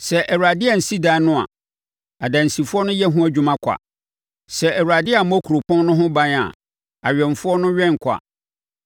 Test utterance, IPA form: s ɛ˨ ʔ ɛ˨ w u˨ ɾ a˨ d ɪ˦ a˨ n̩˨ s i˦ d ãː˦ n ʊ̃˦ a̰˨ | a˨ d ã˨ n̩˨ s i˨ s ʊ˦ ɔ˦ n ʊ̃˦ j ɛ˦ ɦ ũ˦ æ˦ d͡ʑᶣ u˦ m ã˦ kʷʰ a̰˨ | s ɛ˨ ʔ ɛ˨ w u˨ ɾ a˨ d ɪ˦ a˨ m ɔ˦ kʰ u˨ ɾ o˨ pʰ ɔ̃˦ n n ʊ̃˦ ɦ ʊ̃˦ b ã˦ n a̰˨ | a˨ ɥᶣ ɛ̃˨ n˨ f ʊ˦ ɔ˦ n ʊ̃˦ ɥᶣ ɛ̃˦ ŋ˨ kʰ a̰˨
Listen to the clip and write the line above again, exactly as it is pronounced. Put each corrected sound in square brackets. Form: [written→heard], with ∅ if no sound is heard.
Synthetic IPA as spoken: s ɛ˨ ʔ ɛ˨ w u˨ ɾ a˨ d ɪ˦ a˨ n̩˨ s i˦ d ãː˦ n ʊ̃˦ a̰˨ | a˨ d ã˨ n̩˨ s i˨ [s→f] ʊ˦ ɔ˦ n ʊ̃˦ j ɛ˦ ɦ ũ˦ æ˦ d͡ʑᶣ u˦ m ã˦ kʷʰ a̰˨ | s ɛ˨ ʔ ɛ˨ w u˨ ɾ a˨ d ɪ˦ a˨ m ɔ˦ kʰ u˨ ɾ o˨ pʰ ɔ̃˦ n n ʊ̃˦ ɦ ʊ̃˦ b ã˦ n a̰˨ | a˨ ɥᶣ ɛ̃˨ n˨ f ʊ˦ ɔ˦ n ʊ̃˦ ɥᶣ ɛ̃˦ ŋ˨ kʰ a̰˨